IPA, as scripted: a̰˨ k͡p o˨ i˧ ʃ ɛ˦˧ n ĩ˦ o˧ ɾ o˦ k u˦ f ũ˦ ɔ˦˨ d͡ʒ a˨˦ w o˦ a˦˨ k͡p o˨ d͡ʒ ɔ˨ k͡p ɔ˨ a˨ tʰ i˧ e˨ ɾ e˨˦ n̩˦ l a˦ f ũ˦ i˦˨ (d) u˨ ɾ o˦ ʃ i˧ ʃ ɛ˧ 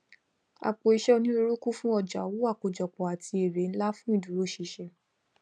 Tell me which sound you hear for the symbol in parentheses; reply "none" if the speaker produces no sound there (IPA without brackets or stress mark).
d